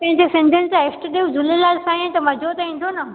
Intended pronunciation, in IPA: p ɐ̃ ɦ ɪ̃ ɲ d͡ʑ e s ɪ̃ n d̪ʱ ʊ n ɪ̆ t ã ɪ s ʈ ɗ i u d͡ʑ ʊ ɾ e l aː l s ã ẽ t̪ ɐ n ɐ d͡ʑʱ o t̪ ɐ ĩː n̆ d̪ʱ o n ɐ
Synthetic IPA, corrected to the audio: p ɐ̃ ɦ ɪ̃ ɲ d͡ʑ e s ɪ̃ n d̪ʱ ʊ n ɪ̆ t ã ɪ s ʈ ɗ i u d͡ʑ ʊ l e l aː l s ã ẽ t̪ ɐ m ɐ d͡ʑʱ o t̪ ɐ ĩː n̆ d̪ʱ o n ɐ